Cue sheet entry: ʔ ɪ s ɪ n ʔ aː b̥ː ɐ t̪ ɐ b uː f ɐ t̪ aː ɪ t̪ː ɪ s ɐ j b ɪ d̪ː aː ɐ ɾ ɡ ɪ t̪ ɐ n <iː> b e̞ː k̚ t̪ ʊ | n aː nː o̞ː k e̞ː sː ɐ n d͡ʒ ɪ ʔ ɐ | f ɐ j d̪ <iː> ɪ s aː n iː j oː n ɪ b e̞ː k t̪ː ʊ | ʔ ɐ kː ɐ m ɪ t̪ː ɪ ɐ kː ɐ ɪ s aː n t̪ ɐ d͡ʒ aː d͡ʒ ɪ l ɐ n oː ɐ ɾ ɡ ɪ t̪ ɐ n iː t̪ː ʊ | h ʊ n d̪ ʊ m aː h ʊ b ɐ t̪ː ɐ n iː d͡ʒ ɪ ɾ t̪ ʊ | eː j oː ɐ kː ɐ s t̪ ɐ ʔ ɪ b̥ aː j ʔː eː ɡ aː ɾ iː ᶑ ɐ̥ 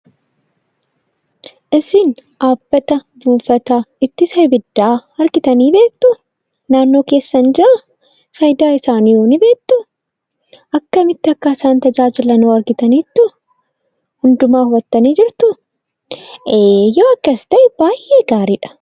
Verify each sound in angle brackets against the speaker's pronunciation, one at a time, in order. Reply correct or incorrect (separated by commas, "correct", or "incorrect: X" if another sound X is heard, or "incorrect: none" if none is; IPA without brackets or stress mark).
correct, incorrect: aː